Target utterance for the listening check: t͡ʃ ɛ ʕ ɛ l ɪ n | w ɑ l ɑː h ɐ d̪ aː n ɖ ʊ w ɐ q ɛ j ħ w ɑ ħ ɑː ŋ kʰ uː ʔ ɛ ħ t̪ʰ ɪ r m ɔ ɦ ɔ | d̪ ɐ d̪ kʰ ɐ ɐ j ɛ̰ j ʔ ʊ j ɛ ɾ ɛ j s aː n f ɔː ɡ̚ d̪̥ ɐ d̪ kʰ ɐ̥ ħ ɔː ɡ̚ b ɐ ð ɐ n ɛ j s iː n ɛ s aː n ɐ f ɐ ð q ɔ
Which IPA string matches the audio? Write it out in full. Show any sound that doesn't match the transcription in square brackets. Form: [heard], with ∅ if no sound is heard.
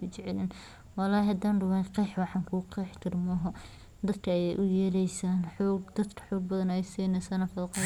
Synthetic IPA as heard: t͡ʃ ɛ ʕ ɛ l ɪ n | w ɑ l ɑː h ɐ d̪ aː n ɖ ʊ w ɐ q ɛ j ħ w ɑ ħ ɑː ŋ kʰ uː [q] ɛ ħ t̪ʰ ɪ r m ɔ ɦ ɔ | d̪ ɐ d̪ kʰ ɐ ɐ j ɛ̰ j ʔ ʊ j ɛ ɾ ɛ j s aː n [ħ] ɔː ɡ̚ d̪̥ ɐ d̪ kʰ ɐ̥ ħ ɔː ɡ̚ b ɐ ð ɐ n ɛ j s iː n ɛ s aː n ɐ f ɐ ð q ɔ